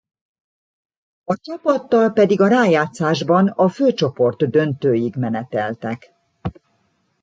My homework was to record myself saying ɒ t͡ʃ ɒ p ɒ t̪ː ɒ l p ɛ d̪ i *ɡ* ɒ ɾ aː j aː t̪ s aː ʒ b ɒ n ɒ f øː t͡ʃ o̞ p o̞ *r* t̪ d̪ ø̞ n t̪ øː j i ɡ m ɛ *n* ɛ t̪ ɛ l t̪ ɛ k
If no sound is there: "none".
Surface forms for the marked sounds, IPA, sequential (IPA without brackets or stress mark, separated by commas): ɡ, r, n